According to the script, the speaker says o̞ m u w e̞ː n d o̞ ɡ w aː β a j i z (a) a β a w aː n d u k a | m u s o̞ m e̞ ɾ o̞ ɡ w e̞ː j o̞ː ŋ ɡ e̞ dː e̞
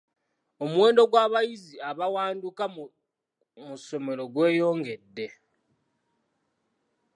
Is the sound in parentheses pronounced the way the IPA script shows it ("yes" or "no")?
no